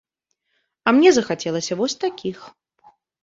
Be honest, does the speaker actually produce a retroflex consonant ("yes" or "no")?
no